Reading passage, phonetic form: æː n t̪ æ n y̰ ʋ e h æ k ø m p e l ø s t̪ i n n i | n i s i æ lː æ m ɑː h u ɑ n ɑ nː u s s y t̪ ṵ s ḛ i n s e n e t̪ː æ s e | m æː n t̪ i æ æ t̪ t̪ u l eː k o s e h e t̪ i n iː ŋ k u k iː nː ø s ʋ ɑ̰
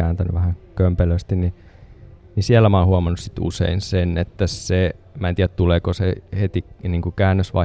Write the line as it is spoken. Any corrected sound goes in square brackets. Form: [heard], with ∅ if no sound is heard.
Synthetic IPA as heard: æː n t̪ æ n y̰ ʋ [æ] h æ k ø m p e l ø s t̪ i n n i | n i s i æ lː æ m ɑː h u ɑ [m] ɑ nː u s s [i] t̪ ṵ s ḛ i n s e n e t̪ː æ s e | m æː n t̪ i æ æ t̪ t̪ u l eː k o s e h e t̪ i n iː ŋ k u k [æː] nː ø s ʋ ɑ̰